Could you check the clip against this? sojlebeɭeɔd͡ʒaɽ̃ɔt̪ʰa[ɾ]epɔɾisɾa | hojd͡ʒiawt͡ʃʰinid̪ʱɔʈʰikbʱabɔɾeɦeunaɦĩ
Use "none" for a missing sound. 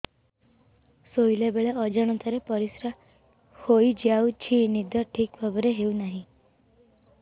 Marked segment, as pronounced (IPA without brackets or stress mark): ɾ